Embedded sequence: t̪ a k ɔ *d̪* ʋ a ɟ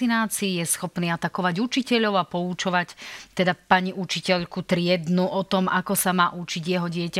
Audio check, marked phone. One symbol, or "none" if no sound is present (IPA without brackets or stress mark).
none